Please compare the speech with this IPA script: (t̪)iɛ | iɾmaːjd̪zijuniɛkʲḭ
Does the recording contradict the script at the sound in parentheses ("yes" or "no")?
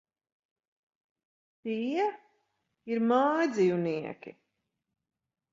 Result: no